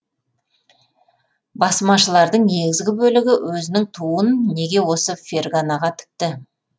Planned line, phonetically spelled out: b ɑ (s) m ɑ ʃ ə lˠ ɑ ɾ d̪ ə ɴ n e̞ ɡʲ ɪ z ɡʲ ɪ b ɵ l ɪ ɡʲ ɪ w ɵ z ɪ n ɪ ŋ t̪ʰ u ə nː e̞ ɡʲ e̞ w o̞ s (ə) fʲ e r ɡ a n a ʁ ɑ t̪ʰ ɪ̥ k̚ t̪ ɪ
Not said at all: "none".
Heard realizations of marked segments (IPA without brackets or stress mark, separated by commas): s, ə